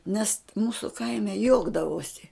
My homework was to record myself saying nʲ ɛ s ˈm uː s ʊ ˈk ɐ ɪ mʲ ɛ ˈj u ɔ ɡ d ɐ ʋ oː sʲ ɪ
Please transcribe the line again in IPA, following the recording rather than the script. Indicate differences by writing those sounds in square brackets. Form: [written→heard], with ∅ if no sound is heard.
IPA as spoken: nʲ ɛ s ˈm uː s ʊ ˈk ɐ ɪ mʲ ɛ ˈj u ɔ ɡ d ɐ ʋ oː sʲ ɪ

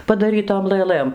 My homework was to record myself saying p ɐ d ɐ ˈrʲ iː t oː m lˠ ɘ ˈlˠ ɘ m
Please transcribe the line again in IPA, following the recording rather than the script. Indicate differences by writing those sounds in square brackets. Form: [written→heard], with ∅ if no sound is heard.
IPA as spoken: p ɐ d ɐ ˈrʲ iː t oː m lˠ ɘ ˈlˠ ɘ m

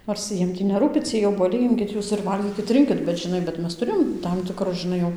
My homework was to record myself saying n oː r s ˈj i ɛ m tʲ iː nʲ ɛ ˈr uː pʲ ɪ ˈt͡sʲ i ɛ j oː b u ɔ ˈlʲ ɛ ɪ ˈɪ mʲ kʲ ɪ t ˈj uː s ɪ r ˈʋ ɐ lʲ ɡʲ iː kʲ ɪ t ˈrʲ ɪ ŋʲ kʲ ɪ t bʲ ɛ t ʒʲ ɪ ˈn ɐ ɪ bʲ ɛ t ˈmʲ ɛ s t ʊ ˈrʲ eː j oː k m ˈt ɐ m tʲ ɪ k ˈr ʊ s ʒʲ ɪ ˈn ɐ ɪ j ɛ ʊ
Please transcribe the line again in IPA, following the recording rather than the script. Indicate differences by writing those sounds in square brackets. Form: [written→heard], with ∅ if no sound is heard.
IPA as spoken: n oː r s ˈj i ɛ m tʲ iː nʲ ɛ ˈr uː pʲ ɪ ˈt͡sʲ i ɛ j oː b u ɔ ˈlʲ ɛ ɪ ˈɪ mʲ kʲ ɪ t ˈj uː s ɪ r ˈʋ ɐ lʲ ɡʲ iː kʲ ɪ t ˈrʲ ɪ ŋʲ kʲ ɪ t bʲ ɛ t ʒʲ ɪ ˈn ɐ ɪ bʲ ɛ t ˈmʲ ɛ s t ʊ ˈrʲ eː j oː [k→∅] m ˈt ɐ m tʲ ɪ k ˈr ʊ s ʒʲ ɪ ˈn ɐ ɪ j ɛ ʊ

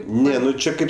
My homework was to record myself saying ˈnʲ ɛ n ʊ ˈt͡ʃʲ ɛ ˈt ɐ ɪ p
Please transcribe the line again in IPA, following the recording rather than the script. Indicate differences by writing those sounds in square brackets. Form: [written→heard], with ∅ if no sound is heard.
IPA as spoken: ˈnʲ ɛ n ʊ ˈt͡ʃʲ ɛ [ˈt→ˈk] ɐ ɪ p

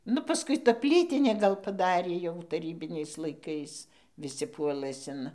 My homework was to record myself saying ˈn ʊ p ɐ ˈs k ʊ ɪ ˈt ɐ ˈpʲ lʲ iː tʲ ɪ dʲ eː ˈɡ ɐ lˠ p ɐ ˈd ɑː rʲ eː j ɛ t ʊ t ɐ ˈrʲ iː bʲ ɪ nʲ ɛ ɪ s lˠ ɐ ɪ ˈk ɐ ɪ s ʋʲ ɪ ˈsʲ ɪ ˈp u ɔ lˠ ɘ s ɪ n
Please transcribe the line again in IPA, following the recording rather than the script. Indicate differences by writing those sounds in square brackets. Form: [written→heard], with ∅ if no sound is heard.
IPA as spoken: ˈn ʊ p ɐ ˈs k ʊ ɪ ˈt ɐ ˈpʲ lʲ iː tʲ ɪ [dʲ→nʲ] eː ˈɡ ɐ lˠ p ɐ ˈd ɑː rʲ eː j ɛ [t→∅] ʊ t ɐ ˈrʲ iː bʲ ɪ nʲ ɛ ɪ s lˠ ɐ ɪ ˈk ɐ ɪ s ʋʲ ɪ ˈsʲ ɪ ˈp u ɔ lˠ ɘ s ɪ n

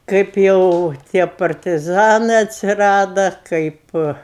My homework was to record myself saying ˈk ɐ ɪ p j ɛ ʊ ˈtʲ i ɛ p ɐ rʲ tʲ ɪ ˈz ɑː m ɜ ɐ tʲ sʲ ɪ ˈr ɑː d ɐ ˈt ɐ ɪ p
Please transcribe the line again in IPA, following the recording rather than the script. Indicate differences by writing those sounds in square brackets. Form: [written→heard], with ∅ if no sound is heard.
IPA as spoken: ˈk ɐ ɪ p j ɛ ʊ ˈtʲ i ɛ p ɐ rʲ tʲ ɪ ˈz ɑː [m→n] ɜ ɐ tʲ sʲ ɪ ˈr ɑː d ɐ [ˈt→ˈk] ɐ ɪ p

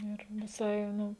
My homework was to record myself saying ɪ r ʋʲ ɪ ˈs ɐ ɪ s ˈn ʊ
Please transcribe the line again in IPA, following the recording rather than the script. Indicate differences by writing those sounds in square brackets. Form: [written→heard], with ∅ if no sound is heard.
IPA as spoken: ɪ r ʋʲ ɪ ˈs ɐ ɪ [s→∅] ˈn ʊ

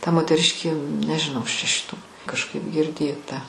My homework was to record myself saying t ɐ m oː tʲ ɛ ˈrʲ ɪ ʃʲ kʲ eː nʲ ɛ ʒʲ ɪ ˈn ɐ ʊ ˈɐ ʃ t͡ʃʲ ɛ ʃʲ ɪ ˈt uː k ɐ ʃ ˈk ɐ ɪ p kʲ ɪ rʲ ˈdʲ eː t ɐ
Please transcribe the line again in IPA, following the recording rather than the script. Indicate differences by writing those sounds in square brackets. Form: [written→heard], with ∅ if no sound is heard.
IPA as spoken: t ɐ m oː tʲ ɛ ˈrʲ ɪ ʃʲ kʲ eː nʲ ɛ ʒʲ ɪ ˈn ɐ ʊ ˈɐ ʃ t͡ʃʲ ɛ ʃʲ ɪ ˈt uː k ɐ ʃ ˈk ɐ ɪ p [kʲ→ɡʲ] ɪ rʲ ˈdʲ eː t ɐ

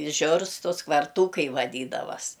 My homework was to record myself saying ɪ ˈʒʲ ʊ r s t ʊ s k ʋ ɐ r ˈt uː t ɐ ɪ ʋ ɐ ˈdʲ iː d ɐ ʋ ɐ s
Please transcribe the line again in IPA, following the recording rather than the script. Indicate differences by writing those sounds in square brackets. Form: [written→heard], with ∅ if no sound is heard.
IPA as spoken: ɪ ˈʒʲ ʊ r s t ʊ s k ʋ ɐ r ˈt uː [t→k] ɐ ɪ ʋ ɐ ˈdʲ iː d ɐ ʋ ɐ s

